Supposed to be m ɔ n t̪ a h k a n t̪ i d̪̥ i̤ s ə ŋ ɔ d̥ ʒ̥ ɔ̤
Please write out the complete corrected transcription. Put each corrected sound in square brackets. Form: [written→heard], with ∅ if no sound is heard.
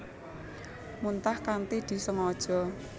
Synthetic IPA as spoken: m [ɔ→u] n t̪ a h k a n t̪ i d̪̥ i̤ s ə ŋ ɔ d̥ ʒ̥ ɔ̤